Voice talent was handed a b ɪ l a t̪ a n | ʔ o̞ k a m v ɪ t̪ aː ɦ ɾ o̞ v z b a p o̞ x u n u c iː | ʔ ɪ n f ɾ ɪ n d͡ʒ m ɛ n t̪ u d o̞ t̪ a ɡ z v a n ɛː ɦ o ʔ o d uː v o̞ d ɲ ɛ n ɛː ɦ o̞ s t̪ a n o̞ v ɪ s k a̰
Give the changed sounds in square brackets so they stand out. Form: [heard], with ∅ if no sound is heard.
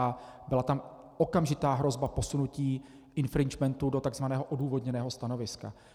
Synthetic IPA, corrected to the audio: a b ɪ l a t̪ a [m] | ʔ o̞ k a m [ʒ] ɪ t̪ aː ɦ ɾ o̞ [∅] z b a p o̞ [s] u n u c iː | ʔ ɪ n f ɾ ɪ n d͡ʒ m ɛ n t̪ u d o̞ t̪ a ɡ z v a n ɛː ɦ o ʔ o d uː v o̞ d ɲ ɛ n ɛː ɦ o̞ s t̪ a n o̞ v ɪ s k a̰